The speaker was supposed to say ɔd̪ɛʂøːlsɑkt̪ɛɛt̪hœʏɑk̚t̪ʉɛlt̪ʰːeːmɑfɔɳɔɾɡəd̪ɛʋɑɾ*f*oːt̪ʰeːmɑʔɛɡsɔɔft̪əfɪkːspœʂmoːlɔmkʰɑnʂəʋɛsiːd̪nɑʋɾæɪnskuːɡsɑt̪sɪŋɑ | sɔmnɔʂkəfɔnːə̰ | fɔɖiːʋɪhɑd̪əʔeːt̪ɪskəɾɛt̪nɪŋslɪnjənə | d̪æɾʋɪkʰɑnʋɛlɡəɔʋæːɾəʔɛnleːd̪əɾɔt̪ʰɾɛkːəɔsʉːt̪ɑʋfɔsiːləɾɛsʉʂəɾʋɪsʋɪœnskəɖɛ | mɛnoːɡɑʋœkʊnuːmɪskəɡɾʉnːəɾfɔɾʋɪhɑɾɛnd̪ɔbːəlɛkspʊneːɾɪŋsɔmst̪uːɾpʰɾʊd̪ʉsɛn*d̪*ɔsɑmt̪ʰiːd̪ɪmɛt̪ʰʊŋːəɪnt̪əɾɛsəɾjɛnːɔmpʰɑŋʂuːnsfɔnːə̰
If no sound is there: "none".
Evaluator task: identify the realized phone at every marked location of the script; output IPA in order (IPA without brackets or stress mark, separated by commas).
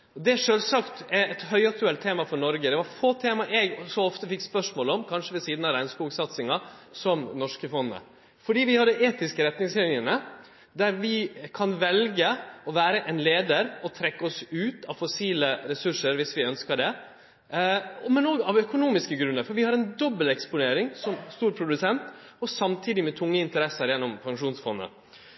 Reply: f, t̪